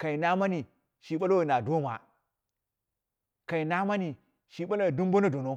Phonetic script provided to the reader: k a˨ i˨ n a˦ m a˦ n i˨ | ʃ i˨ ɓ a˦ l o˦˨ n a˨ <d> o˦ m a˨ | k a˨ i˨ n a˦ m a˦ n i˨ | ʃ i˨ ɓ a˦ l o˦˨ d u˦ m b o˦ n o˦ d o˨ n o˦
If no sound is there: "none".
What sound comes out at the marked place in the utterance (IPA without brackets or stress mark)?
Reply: d